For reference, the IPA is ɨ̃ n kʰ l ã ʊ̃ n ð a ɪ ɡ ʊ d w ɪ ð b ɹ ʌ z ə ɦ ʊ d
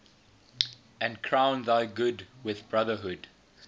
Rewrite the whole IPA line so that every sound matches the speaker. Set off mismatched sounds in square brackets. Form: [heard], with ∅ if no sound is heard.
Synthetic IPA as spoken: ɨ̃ n kʰ [ɹ] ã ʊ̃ n ð a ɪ ɡ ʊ d w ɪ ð b ɹ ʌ [ð] ə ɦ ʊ d